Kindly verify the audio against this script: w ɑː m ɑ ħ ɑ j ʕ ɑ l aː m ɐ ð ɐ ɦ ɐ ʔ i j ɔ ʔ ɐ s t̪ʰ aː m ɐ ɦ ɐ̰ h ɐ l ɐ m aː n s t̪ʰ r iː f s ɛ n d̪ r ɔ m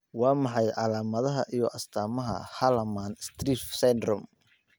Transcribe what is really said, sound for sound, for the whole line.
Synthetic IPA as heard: w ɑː m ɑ ħ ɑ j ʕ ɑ l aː m ɐ ð ɐ ɦ ɐ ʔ i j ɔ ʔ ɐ s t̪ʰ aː m ɐ ɦ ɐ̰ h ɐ l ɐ m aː n s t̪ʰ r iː f s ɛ n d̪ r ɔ m